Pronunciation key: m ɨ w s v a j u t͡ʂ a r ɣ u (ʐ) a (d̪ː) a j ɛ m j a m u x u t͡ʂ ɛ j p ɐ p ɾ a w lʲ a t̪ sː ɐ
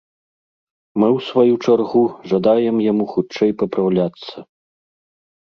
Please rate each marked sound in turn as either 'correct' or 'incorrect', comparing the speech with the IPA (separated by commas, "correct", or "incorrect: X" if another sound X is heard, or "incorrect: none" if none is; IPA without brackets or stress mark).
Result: correct, incorrect: d̪